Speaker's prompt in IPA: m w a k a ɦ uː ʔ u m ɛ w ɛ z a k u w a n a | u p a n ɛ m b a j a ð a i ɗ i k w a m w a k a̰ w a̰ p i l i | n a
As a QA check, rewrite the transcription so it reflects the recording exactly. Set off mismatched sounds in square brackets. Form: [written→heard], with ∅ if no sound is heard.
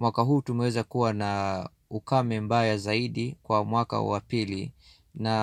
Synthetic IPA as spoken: m w a k a ɦ uː [ʔ→t] u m ɛ w ɛ z a k u w a n a | u [p→k] a [n→m] ɛ m b a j a [ð→z] a i ɗ i k w a m w a k a̰ w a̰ p i l i | n a